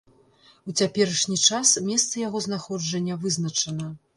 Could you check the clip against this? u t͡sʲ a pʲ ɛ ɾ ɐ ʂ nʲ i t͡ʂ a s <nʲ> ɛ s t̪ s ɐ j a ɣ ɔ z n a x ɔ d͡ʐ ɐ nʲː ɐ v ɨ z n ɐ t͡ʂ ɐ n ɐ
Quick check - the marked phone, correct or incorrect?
incorrect